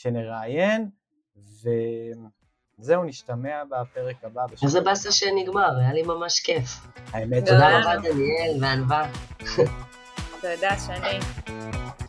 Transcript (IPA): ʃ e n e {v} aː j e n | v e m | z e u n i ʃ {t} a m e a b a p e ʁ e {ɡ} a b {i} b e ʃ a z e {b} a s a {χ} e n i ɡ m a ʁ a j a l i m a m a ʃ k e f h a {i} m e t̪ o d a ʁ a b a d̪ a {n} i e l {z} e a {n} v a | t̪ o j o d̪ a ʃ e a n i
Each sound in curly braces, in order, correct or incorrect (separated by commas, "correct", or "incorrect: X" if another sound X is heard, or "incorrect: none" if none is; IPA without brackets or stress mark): incorrect: ʁ, correct, incorrect: k, incorrect: a, correct, incorrect: ʃ, incorrect: e, correct, incorrect: v, correct